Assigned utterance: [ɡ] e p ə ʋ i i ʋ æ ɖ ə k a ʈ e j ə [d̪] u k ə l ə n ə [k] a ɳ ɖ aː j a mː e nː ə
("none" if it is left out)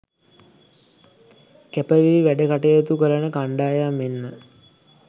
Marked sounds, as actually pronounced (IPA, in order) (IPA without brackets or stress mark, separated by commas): k, t̪, k